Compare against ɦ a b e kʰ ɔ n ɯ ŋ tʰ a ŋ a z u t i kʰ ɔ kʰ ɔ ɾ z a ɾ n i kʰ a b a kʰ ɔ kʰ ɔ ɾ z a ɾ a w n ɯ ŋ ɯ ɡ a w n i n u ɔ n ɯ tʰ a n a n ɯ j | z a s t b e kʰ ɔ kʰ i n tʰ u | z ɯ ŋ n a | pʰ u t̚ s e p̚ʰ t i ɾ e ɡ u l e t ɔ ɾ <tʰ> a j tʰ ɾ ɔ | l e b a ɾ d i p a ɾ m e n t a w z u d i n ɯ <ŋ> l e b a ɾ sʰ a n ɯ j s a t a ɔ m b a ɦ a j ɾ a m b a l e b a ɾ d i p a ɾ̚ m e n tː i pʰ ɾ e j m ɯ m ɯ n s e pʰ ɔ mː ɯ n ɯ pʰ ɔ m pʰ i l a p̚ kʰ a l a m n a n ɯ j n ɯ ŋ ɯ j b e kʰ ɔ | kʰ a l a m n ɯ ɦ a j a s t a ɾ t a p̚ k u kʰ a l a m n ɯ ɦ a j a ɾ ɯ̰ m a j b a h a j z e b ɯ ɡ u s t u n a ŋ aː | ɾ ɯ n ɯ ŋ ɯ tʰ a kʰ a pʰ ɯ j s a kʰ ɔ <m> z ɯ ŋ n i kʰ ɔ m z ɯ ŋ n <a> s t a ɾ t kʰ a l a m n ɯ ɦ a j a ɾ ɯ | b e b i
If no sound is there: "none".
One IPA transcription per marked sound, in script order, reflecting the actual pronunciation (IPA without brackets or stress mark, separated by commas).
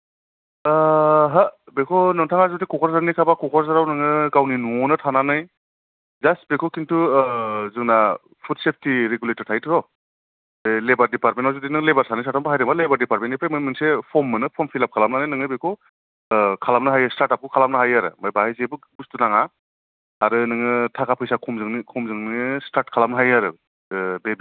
tʰ, ŋ, m, i